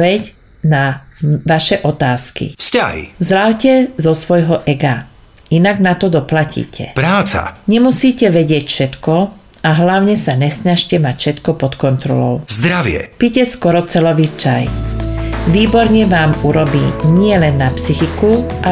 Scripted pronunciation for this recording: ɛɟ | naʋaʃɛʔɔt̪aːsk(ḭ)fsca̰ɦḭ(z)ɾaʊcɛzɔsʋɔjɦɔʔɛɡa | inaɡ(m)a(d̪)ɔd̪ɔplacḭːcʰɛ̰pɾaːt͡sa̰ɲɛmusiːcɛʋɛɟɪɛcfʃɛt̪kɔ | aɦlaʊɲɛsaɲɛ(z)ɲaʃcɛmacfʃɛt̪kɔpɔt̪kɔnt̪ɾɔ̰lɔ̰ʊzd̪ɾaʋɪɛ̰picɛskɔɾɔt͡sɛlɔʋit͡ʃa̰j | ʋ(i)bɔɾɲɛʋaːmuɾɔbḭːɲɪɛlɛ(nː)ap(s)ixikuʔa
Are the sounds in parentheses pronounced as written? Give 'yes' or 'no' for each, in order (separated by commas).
yes, yes, no, no, no, no, yes, yes